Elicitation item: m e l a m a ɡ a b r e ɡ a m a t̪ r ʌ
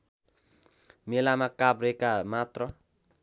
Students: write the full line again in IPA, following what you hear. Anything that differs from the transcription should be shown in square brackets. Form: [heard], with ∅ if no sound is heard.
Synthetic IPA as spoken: m e l a m a [k] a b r e [k] a m a t̪ r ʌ